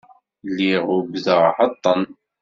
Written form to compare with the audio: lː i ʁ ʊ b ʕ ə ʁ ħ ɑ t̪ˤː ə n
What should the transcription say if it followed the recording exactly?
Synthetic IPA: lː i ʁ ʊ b ð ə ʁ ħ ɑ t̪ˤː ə n

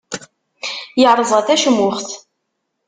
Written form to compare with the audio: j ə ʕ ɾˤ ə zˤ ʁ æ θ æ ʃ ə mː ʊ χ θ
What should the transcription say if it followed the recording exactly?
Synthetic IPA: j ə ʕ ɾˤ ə zˤ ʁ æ θ æ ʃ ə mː ʊ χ θ

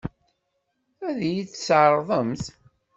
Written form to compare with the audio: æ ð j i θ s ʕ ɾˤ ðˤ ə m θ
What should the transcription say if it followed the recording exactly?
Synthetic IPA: æ ð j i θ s ʕ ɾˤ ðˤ ə m θ

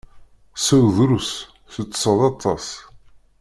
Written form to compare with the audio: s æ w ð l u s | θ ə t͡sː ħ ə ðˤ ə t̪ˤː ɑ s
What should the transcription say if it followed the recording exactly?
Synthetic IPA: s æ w ð ɾ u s | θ ə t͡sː s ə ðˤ ɑ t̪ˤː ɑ s

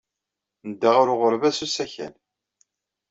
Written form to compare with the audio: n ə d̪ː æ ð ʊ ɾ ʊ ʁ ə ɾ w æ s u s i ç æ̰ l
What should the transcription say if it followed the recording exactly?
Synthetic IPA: n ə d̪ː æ ʁ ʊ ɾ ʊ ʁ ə ɾ v æ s u s æ ç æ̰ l

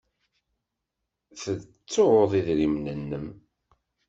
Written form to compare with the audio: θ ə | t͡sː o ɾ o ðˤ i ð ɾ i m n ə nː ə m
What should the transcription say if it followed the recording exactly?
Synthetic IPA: θ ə | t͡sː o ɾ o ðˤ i ð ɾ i m n ə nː ə m

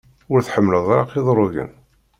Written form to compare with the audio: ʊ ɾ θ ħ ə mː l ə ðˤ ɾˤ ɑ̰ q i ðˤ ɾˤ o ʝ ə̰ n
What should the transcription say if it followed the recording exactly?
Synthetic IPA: ʊ ɾ θ ħ ə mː l ə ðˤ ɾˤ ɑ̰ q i ðˤ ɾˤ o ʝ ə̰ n

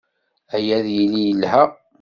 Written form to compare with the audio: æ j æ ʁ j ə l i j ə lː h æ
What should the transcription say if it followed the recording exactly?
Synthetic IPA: æ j æ ð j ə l i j ə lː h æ

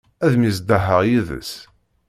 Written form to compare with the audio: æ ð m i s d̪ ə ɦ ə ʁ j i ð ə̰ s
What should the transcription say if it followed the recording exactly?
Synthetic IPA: æ ð m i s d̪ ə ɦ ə ʁ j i ð ə̰ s

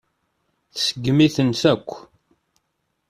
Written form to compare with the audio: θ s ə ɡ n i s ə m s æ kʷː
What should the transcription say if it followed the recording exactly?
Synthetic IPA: θ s ə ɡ m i θ ə n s æ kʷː

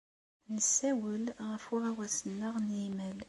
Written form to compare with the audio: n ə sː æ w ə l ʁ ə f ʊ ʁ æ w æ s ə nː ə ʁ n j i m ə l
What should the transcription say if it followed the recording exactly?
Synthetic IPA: n ə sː æ w ə l ʁ ə f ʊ ʁ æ w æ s ə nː ə ʁ n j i m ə l

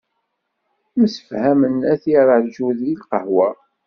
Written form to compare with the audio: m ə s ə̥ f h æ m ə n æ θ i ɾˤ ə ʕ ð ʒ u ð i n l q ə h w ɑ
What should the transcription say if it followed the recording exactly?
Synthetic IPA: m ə s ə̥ f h æ m ə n æ θ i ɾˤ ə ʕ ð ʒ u ð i l q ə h w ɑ

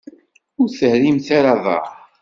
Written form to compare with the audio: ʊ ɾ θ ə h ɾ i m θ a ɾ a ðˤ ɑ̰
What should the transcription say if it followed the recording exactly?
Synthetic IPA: ʊ ɾ θ ə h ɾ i m θ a ɾ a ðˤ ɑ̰

